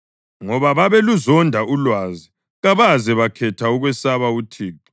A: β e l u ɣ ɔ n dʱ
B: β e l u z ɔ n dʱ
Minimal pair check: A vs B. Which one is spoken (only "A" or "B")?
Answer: B